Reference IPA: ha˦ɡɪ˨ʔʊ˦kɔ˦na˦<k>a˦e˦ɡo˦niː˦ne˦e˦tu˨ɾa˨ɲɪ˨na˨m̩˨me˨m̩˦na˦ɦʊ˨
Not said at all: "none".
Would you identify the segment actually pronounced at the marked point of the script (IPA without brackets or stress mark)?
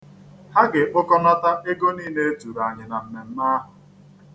t